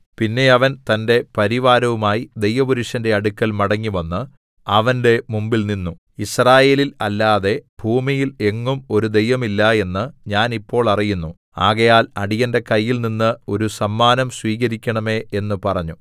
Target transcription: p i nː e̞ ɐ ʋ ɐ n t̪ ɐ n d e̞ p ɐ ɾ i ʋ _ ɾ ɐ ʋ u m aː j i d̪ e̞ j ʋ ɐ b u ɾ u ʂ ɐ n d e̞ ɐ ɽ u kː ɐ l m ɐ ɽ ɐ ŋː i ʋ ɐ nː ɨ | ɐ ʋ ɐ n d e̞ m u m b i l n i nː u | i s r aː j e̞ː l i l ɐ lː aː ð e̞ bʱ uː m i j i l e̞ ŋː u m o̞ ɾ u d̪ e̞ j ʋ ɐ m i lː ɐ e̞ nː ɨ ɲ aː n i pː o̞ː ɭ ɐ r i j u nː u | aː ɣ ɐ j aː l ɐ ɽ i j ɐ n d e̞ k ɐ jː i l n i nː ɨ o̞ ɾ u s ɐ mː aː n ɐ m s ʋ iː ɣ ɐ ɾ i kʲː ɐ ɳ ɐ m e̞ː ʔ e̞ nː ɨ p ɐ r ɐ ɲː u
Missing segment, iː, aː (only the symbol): aː